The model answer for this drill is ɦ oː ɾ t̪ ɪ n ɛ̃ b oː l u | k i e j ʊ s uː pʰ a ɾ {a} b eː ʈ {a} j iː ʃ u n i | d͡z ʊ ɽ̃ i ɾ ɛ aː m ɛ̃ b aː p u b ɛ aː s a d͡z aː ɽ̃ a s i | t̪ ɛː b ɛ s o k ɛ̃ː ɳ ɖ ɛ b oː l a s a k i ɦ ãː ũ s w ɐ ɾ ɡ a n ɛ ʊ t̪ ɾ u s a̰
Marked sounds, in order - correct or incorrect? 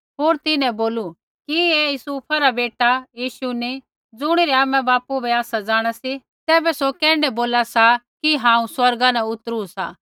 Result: correct, correct

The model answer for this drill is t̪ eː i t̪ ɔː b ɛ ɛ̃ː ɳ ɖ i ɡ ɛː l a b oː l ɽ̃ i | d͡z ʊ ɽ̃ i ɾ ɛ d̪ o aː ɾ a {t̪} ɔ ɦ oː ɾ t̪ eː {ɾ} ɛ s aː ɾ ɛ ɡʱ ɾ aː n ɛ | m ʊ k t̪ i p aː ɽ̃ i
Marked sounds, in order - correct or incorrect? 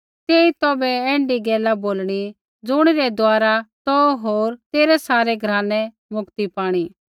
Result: correct, correct

